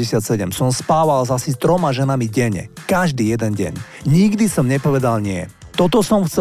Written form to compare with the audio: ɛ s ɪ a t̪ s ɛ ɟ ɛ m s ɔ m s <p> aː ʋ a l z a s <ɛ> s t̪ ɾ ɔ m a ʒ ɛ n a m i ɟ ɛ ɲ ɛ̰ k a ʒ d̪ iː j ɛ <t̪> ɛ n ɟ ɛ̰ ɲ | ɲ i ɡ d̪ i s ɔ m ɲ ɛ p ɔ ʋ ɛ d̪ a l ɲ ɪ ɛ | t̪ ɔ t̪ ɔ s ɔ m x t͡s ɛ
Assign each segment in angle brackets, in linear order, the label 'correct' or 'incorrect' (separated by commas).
correct, incorrect, incorrect